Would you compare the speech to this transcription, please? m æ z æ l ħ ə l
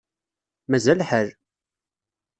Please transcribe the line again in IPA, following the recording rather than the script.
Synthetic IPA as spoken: m æ z æ l ħ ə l